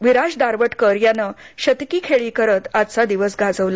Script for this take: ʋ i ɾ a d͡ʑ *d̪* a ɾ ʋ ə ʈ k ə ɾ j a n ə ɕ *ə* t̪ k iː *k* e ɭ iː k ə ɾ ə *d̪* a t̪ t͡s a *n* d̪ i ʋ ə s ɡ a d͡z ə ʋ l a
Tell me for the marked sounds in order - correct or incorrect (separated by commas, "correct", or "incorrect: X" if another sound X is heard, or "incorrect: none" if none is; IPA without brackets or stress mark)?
correct, correct, incorrect: kʰ, incorrect: t̪, incorrect: none